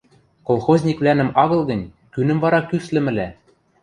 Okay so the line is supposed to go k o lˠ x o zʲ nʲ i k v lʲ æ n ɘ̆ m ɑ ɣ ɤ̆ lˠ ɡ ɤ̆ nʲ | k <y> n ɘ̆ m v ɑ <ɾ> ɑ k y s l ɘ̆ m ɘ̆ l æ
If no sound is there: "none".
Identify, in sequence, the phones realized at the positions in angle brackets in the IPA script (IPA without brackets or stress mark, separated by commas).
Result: y, ɾ